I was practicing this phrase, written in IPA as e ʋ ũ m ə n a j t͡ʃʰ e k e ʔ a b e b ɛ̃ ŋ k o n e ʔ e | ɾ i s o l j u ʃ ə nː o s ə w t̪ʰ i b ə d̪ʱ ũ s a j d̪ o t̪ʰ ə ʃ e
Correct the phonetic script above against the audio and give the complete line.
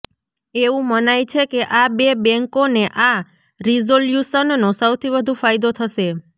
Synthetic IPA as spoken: e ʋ ũ m ə n a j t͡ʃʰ e k e ʔ a b e b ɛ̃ ŋ k o n e ʔ a | ɾ i z o l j u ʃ ə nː o s ə w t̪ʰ i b ə d̪ʱ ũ f a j d̪ o t̪ʰ ə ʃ e